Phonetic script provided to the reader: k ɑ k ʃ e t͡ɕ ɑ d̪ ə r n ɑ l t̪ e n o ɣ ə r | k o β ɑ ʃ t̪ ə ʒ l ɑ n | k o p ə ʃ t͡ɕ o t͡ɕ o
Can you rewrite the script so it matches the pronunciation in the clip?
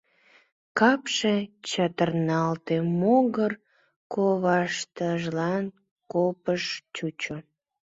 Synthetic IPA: k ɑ p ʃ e t͡ɕ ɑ t̪ ə r n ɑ l t̪ e m o ɣ ə r | k o β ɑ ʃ t̪ ə ʒ l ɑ n | k o p ə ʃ t͡ɕ u t͡ɕ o